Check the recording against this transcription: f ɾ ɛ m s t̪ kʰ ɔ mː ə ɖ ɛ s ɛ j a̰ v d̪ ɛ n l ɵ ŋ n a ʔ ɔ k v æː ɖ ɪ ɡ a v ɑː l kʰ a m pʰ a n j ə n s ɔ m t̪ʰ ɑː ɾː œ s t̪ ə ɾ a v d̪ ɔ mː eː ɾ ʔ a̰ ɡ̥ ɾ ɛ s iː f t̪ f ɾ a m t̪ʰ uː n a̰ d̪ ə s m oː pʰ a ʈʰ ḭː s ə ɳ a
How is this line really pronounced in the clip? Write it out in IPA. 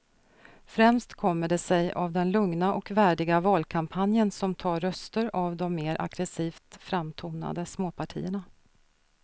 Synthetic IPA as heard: f ɾ ɛ m s t̪ kʰ ɔ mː ə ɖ ɛ s ɛ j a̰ v d̪ ɛ n l ɵ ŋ n a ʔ ɔ k v æː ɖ ɪ ɡ a v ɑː l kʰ a m pʰ a n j ə n s ɔ m t̪ʰ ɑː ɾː œ s t̪ ə ɾ a v d̪ ɔ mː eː ɾ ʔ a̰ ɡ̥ ɾ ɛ s iː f t̪ f ɾ a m t̪ʰ uː n a̰ d̪ ə s m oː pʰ a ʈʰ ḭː ə ɳ a